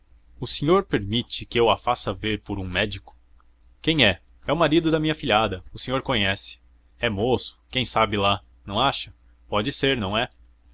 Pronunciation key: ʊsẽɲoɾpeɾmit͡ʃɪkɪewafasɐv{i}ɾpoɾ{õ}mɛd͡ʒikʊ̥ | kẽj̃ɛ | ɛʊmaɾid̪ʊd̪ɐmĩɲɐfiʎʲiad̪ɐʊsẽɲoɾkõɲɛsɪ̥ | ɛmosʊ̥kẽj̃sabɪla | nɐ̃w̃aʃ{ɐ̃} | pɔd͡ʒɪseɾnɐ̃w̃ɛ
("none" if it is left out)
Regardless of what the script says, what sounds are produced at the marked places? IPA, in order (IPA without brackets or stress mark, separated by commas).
e, ũ, ɐ